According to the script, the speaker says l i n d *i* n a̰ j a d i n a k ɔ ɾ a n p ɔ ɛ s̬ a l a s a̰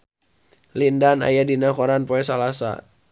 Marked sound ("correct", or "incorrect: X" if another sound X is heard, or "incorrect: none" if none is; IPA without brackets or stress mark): incorrect: a